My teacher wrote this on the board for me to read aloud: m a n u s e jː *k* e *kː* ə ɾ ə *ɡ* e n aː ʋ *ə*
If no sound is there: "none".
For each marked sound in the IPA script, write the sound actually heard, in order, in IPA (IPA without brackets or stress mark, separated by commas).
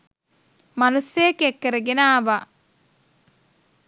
k, kː, ɡ, a